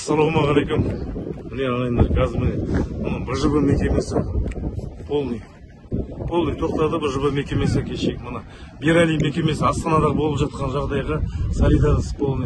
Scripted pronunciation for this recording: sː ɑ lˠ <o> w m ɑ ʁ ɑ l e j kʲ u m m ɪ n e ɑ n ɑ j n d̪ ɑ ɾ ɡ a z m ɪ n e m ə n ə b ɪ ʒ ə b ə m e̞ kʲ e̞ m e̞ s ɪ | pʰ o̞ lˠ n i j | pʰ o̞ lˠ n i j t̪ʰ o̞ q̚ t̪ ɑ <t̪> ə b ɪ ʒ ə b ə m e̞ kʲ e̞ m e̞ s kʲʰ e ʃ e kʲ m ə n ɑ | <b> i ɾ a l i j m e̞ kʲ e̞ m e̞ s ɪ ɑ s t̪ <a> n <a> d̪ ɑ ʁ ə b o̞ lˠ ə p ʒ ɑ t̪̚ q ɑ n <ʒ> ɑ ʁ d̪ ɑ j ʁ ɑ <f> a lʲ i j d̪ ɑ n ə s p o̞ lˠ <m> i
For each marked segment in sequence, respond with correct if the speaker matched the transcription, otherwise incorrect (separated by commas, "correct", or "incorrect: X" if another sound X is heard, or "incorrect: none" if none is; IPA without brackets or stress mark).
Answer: correct, incorrect: d̪, correct, incorrect: ɑ, incorrect: ɑ, correct, incorrect: s, incorrect: n